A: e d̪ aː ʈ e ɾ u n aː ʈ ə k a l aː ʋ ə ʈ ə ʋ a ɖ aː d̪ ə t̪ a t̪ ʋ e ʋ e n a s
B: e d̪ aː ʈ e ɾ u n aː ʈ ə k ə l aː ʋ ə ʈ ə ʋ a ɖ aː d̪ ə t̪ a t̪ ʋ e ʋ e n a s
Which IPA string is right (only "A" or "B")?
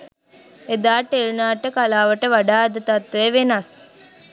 A